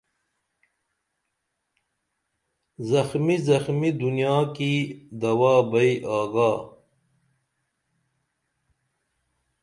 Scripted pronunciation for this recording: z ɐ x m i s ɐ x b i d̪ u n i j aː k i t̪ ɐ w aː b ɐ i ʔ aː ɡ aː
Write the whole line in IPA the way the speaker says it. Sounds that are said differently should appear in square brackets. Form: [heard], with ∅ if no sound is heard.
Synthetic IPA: z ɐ x m i [z] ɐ x [m] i d̪ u n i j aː k i [d̪] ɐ w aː b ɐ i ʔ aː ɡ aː